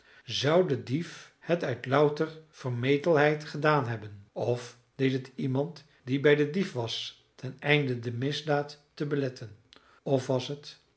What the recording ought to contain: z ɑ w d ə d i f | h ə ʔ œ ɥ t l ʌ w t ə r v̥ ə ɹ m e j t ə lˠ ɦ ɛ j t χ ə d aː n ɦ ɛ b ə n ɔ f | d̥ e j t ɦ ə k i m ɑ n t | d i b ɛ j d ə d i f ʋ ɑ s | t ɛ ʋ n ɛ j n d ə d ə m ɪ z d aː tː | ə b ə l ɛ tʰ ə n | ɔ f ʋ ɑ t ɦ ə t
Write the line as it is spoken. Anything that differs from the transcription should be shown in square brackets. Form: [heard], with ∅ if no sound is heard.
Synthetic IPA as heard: z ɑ w d ə d i f | h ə [t] œ ɥ t l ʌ w t ə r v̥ ə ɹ m e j t ə lˠ ɦ ɛ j t χ ə d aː n ɦ ɛ b ə n ɔ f | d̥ e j t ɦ ə [t] i m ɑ n t | d i b ɛ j d ə d i f ʋ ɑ s | t ɛ [∅] n ɛ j n d ə d ə m ɪ z d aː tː | ə b ə l ɛ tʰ ə n | ɔ f ʋ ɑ [s] ɦ ə t